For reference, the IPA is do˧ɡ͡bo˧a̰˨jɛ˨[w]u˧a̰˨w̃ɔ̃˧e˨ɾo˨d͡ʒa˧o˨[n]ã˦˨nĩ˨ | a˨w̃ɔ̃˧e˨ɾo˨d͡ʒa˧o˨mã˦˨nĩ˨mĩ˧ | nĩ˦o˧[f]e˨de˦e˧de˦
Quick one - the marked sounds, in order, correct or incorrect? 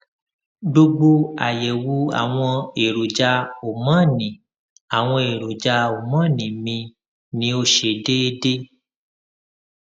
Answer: correct, incorrect: m, incorrect: ʃ

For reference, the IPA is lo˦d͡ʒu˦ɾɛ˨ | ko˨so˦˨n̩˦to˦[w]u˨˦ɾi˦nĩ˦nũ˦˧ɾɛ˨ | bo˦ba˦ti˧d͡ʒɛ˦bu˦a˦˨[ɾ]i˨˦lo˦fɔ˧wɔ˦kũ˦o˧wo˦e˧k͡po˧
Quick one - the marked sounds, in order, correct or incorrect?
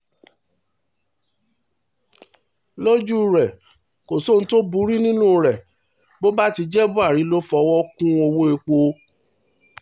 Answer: incorrect: b, correct

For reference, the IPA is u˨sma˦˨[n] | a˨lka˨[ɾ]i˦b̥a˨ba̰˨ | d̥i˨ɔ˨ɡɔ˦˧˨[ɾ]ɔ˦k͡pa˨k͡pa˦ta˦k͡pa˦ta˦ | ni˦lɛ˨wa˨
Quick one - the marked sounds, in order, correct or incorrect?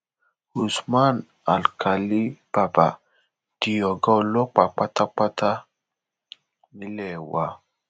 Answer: correct, incorrect: l, incorrect: l

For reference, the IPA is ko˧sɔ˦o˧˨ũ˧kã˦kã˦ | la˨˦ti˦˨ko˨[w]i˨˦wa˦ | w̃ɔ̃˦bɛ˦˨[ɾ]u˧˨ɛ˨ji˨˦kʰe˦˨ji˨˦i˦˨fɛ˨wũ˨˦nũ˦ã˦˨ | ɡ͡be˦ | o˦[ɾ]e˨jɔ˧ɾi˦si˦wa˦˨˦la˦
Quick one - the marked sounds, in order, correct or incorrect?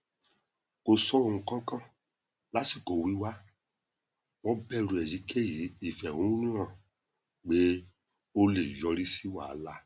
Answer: correct, correct, incorrect: l

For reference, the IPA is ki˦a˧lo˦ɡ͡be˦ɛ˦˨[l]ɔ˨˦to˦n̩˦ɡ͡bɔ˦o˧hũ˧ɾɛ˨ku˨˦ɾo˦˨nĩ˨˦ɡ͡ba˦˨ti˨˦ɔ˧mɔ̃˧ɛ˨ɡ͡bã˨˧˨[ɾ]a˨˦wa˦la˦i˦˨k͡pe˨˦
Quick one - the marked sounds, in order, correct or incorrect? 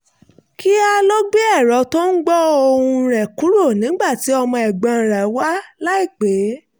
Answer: incorrect: ɾ, correct

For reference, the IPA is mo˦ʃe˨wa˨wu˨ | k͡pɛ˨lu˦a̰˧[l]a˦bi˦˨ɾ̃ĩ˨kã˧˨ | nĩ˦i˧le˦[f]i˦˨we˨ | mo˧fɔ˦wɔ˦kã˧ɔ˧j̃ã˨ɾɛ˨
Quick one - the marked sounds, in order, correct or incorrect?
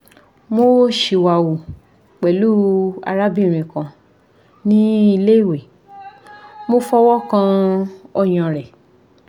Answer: incorrect: ɾ, incorrect: none

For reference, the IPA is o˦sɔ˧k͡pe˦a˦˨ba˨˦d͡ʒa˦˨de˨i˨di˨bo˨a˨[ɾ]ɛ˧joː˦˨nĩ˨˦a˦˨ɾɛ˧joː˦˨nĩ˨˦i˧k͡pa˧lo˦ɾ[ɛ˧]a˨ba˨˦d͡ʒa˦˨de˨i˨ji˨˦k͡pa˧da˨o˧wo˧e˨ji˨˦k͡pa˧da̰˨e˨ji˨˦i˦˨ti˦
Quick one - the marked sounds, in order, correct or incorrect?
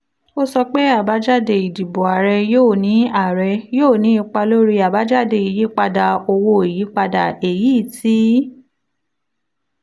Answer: correct, incorrect: i˧

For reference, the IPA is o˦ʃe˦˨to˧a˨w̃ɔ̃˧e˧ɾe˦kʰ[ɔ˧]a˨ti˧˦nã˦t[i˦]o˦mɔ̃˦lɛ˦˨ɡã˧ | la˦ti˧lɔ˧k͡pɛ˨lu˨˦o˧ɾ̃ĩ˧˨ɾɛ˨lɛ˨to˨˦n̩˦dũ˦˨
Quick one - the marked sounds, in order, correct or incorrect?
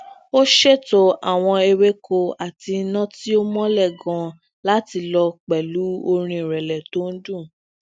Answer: incorrect: o˧, correct

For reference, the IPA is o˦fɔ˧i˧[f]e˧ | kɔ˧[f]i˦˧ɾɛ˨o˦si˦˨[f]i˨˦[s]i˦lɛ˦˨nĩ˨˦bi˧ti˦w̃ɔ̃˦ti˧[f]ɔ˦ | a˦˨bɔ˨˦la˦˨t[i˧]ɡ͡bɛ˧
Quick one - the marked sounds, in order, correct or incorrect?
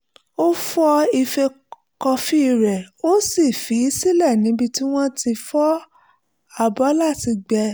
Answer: correct, correct, correct, correct, correct, correct

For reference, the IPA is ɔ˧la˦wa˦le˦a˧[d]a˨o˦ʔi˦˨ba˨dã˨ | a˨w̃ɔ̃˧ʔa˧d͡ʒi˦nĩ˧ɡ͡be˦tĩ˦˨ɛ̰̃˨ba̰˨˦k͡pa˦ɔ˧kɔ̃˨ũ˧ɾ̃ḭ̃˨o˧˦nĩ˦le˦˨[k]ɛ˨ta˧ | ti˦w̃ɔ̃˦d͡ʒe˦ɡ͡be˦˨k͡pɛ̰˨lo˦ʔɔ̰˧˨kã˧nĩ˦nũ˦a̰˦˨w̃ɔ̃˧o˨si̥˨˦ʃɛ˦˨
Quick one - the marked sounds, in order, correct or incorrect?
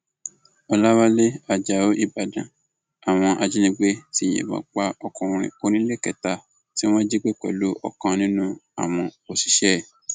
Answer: incorrect: d͡ʒ, correct

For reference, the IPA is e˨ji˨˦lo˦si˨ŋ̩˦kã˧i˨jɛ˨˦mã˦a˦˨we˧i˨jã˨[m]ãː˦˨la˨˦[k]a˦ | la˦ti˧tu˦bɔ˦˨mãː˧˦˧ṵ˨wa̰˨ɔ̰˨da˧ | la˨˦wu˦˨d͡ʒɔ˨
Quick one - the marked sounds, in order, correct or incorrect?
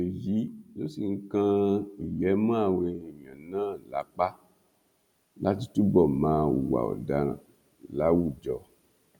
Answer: incorrect: n, incorrect: k͡p

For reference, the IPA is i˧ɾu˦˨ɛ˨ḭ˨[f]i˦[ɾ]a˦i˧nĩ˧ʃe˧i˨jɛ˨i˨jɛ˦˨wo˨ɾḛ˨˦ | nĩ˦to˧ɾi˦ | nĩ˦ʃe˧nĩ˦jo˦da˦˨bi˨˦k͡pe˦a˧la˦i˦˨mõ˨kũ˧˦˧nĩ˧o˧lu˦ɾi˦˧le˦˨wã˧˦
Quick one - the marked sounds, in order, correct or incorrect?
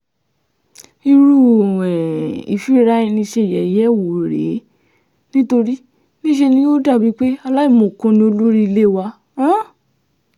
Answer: correct, correct

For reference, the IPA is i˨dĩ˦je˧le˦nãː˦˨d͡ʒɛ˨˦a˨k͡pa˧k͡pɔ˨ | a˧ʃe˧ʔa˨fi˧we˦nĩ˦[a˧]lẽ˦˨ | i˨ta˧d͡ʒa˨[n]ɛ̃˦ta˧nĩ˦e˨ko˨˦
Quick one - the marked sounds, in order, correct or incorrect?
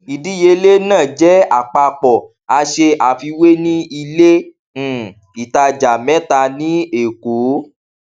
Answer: incorrect: i˧, incorrect: m

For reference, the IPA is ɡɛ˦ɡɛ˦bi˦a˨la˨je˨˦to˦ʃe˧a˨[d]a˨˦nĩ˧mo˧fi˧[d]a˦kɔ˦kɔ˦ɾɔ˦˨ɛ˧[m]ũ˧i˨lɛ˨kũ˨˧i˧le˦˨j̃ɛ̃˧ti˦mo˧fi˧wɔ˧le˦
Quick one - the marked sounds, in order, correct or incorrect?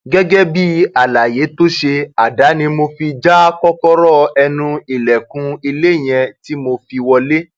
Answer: correct, incorrect: d͡ʒ, incorrect: n

